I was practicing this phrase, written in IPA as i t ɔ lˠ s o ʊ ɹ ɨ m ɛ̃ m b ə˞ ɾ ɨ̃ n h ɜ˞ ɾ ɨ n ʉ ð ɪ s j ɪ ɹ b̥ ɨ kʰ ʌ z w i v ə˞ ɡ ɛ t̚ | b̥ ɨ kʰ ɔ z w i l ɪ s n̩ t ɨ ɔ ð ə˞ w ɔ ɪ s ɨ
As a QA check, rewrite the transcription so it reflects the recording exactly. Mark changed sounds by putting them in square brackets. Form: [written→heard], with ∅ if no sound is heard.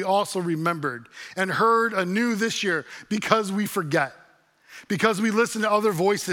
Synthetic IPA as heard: i [t→∅] ɔ lˠ s o ʊ ɹ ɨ m ɛ̃ m b ə˞ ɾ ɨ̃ n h ɜ˞ ɾ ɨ n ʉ ð ɪ s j ɪ ɹ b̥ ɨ kʰ ʌ z w i [v→f] ə˞ ɡ ɛ t̚ | b̥ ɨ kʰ [ɔ→ʌ] z w i l ɪ s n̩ t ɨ [ɔ→ʌ] ð ə˞ [w→v] ɔ ɪ s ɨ